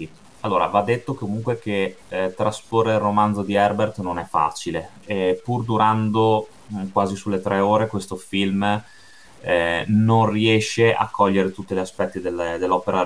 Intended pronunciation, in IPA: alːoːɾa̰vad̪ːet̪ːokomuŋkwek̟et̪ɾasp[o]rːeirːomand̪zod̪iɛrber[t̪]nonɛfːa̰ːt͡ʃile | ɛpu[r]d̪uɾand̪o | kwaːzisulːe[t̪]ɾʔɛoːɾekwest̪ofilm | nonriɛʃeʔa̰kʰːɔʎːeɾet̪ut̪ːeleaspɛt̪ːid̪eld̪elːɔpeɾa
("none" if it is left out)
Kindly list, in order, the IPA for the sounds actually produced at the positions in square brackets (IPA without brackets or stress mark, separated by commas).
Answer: o, t̪, r, t̪